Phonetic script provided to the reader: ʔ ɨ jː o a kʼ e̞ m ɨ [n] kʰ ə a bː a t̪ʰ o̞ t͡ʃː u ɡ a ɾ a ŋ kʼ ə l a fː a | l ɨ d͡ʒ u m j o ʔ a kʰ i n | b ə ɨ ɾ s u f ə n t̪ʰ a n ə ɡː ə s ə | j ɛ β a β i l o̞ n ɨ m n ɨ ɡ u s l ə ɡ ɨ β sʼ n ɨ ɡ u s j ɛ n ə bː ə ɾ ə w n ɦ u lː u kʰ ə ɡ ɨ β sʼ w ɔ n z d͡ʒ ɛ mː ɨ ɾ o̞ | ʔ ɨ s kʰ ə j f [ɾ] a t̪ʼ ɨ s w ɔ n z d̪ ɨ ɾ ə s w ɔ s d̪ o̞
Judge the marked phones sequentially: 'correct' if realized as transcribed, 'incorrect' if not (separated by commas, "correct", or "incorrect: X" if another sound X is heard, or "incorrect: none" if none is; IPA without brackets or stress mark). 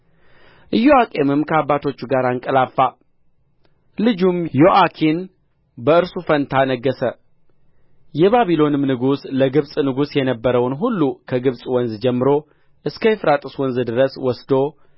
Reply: incorrect: m, correct